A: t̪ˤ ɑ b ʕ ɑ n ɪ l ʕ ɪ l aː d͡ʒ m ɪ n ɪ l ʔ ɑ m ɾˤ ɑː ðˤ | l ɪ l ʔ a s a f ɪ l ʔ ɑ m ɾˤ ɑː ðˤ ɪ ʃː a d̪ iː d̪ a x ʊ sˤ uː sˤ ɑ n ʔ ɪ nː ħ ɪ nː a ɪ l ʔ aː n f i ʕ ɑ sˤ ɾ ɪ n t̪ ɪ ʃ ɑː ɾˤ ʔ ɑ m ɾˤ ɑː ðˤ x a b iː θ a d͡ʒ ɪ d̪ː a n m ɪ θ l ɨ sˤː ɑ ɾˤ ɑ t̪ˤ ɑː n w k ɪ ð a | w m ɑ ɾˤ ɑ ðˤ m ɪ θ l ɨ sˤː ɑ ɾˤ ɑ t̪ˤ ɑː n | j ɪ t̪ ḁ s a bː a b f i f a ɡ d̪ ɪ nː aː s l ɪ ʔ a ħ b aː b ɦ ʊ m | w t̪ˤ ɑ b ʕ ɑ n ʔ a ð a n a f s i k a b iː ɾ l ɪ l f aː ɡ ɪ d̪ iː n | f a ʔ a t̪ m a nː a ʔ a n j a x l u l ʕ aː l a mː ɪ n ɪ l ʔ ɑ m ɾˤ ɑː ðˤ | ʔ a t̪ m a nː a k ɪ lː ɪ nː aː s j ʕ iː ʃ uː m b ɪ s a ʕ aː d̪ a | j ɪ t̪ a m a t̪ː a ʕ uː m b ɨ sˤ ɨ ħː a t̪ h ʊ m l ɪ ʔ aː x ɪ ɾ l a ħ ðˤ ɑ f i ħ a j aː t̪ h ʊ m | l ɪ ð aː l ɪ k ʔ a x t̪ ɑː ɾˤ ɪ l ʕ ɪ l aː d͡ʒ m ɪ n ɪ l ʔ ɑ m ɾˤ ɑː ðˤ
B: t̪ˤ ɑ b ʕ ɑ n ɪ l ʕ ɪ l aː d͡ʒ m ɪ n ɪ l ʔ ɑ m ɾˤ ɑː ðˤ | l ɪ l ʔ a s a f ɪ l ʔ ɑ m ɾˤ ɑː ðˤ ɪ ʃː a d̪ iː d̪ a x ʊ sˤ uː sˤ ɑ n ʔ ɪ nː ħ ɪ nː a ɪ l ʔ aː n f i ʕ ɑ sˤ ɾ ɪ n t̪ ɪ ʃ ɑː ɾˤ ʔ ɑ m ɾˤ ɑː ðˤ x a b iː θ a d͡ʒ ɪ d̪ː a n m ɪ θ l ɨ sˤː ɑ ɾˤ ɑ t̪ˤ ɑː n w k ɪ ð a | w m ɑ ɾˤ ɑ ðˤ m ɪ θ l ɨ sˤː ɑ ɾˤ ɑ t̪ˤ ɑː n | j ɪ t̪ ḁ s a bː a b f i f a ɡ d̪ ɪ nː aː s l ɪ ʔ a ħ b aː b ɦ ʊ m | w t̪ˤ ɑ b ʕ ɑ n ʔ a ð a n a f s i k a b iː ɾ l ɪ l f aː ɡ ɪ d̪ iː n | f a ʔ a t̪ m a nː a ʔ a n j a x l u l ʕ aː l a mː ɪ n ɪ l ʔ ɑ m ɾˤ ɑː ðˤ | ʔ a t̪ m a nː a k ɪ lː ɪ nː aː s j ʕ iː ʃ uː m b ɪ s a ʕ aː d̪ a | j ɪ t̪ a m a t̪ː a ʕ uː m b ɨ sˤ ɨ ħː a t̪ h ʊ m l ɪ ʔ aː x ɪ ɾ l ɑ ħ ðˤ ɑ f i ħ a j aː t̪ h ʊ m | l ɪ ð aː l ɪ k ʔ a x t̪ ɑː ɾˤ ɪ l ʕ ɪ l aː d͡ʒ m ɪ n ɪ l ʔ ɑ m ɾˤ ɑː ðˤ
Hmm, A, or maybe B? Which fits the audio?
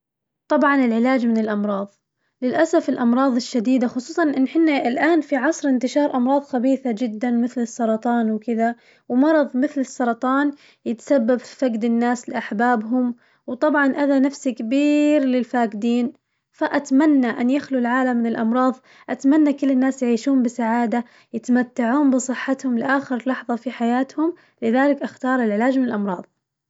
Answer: B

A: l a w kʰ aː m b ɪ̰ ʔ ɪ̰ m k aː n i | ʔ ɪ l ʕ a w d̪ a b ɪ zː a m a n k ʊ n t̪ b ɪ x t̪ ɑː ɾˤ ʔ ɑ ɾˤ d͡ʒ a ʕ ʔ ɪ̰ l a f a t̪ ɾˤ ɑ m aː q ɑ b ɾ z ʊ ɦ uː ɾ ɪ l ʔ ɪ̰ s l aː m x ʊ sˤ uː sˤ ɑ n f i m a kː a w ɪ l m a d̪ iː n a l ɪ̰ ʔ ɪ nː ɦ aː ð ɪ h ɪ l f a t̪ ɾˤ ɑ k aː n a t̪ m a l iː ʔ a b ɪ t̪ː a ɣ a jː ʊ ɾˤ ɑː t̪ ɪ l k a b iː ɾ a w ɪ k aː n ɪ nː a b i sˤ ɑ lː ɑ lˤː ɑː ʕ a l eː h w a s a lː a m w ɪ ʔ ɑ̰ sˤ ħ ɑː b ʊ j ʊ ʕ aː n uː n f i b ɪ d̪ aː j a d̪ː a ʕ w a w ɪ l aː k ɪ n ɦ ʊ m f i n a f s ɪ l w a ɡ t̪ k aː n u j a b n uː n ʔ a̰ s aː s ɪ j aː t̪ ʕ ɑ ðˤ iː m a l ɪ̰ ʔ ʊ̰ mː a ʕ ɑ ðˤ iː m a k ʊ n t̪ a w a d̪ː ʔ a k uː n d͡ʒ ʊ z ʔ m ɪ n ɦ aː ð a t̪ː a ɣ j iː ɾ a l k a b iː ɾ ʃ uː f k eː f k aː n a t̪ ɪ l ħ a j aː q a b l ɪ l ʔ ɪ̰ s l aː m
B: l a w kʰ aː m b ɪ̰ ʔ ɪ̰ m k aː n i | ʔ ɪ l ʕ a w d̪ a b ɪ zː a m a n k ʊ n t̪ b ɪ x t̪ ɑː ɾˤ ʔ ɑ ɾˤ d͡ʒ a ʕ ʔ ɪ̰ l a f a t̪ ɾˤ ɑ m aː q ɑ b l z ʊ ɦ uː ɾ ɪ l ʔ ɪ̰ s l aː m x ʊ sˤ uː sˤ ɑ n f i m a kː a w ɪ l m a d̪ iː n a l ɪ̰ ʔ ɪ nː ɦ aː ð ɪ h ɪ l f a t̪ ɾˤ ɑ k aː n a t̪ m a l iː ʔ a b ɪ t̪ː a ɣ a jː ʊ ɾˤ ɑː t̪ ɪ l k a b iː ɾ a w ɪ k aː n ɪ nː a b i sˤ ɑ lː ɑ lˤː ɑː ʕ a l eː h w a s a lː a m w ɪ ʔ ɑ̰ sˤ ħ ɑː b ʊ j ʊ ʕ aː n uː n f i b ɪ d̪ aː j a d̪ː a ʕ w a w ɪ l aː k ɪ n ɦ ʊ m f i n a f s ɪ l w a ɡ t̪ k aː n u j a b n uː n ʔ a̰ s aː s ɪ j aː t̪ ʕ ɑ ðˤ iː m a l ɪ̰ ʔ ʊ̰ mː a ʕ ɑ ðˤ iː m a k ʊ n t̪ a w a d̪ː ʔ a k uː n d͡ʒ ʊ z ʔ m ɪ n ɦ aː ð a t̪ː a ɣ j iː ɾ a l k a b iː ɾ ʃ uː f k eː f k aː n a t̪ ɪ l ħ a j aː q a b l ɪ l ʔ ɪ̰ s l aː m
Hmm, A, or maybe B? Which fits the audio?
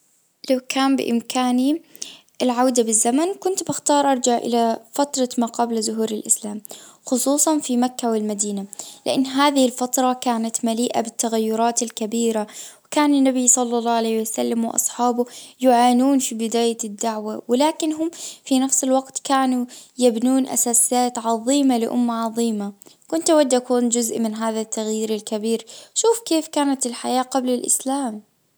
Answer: B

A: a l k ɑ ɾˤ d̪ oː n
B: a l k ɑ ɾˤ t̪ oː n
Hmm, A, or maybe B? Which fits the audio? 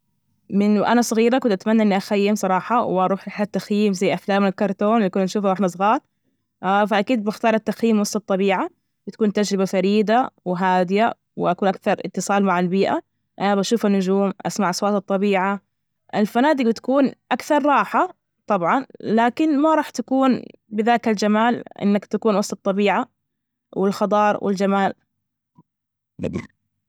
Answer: B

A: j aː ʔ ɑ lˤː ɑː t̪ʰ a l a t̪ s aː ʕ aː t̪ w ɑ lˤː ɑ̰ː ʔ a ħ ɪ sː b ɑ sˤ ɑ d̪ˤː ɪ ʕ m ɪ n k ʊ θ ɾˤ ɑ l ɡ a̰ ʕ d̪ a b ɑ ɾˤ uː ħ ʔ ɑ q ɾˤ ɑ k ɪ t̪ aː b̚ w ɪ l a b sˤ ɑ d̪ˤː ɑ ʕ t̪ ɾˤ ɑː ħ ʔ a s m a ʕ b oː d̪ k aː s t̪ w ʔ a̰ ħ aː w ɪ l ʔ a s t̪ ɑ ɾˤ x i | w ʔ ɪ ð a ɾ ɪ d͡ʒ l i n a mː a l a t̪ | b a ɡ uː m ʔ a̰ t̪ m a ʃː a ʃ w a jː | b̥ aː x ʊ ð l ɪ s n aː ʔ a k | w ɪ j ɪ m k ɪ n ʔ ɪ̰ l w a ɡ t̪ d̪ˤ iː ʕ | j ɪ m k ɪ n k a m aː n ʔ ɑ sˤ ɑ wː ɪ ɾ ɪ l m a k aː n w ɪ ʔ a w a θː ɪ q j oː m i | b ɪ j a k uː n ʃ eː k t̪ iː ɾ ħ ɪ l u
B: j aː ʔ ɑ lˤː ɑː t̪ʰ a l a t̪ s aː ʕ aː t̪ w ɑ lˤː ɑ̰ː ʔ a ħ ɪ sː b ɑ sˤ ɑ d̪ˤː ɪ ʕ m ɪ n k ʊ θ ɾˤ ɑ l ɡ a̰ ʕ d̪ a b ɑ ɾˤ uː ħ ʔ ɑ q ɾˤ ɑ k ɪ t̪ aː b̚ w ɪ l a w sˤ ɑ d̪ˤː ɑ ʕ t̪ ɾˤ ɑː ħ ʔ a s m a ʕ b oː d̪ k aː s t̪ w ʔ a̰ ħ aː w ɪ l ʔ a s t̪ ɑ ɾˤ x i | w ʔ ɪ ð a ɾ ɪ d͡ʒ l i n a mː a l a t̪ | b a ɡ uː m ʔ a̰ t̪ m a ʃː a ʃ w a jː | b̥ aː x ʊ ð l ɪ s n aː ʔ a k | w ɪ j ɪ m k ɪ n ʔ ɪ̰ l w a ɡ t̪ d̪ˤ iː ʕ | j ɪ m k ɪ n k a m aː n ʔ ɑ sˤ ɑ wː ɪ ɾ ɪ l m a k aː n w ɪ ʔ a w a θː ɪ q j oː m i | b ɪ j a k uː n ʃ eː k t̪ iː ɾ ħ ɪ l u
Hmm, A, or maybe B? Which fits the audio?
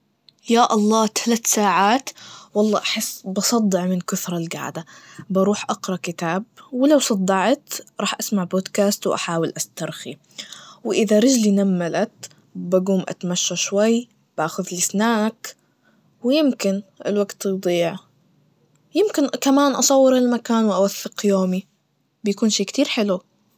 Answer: B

